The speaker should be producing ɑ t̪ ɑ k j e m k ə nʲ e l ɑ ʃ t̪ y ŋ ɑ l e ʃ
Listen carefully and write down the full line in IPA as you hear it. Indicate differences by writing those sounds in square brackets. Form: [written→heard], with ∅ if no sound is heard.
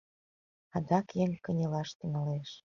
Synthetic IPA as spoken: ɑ [t̪→d̪] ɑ k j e [m→ŋ] k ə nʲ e l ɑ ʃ t̪ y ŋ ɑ l e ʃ